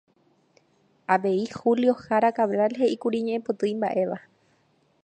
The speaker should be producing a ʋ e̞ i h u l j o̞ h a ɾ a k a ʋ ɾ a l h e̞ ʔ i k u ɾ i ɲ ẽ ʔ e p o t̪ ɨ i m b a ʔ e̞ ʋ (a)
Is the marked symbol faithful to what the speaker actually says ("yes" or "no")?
yes